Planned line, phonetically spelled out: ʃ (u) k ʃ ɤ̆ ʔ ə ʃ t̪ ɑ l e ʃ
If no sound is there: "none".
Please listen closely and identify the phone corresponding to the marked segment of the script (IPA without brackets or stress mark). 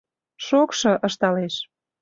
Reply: o